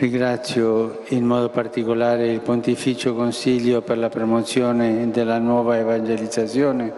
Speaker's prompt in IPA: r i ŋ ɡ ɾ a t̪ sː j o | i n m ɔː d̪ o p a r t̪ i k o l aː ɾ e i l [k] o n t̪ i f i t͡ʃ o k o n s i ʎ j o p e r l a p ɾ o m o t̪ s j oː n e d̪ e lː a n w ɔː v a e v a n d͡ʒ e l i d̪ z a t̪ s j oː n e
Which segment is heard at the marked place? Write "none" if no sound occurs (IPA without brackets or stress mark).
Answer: p